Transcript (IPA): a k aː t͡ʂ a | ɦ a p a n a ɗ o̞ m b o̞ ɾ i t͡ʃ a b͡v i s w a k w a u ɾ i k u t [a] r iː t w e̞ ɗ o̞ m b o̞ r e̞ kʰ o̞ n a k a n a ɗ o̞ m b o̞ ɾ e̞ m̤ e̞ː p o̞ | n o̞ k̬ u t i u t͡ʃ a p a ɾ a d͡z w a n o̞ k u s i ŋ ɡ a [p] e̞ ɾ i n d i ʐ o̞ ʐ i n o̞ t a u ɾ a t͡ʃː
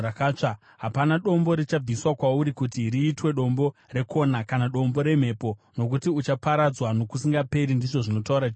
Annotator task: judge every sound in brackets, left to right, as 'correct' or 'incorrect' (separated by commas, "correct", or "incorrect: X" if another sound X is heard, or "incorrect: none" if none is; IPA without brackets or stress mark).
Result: incorrect: i, correct